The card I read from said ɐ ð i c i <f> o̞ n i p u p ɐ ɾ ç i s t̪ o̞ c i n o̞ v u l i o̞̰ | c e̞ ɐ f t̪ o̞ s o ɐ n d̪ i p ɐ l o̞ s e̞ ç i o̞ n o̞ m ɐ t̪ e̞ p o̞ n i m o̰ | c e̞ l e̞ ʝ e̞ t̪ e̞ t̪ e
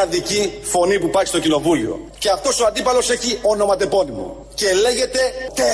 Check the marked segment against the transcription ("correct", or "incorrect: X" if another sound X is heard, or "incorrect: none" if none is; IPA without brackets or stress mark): correct